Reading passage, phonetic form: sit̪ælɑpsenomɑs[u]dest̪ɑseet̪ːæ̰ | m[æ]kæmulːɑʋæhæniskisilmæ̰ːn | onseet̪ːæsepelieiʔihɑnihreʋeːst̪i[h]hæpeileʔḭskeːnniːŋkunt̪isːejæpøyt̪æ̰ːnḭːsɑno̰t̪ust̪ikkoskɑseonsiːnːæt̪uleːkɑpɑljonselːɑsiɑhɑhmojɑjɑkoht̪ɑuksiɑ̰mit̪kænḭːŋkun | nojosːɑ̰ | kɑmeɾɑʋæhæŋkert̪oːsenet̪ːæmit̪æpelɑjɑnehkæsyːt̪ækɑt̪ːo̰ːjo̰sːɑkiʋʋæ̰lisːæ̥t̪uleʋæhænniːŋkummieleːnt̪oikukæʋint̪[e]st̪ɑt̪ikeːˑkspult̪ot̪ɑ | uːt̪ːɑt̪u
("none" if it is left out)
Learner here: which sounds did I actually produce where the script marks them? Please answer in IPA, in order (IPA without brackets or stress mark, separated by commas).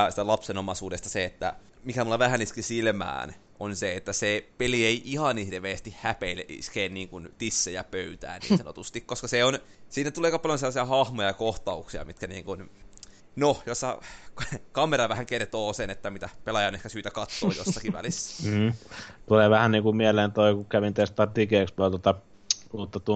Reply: uː, i, h, e